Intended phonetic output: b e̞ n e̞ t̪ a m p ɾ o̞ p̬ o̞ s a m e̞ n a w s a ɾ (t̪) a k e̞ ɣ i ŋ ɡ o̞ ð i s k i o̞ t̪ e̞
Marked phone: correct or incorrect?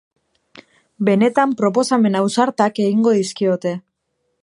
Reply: correct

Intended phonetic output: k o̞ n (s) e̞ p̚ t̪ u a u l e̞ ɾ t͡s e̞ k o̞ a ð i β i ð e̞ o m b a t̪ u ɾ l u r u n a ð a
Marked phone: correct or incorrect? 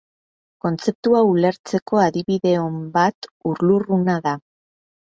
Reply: incorrect: t͡s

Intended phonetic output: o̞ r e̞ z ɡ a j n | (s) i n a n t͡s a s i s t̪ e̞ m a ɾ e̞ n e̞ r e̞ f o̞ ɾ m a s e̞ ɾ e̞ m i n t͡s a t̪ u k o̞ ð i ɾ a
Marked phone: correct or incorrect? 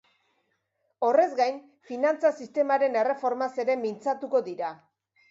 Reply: incorrect: f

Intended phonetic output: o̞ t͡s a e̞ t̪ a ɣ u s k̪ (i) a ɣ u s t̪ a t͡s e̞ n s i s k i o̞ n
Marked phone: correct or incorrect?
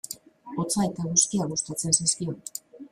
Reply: correct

